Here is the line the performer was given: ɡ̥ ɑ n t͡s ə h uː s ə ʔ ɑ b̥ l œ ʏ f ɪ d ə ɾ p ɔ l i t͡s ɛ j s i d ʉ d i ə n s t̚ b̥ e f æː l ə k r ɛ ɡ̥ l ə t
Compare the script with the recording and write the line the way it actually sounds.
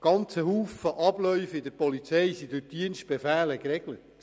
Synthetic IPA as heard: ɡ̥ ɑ n t͡s ə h uː f ə ʔ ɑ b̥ l œ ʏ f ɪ d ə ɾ p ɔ l i t͡s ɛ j s i d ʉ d i ə n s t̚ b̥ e f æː l ə k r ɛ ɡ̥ l ə t